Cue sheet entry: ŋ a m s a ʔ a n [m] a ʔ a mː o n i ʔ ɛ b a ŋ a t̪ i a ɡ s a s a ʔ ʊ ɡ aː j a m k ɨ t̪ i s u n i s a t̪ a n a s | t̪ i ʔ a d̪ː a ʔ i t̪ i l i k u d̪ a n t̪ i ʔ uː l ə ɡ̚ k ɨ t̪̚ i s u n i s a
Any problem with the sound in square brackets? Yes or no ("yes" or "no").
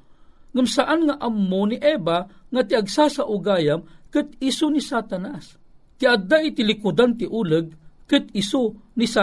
yes